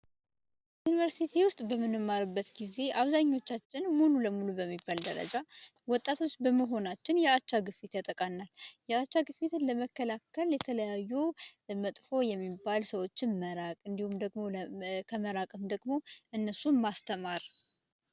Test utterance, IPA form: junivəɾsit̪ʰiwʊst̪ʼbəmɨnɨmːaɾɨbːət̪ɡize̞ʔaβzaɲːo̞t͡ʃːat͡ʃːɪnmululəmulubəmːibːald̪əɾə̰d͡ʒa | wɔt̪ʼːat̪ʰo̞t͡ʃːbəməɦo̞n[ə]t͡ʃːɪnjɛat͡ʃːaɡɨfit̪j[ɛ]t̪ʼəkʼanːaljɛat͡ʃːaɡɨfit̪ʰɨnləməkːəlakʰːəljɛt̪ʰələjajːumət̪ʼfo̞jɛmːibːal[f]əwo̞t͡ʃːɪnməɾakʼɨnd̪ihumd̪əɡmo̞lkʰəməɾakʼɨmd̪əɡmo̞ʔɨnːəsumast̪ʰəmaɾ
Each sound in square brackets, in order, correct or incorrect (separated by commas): incorrect, incorrect, incorrect